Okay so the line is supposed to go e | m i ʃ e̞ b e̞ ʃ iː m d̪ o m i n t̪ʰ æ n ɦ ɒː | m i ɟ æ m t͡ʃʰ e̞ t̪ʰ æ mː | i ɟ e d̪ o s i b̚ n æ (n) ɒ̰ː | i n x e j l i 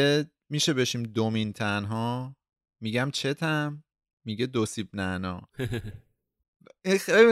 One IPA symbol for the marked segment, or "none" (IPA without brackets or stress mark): n